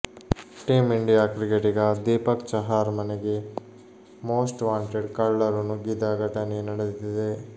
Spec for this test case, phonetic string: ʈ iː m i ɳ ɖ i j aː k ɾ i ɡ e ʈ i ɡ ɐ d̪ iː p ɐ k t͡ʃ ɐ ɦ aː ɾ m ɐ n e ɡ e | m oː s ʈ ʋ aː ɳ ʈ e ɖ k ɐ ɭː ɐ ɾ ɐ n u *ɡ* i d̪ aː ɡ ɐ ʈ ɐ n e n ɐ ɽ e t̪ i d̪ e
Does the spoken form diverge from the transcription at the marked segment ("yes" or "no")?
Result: no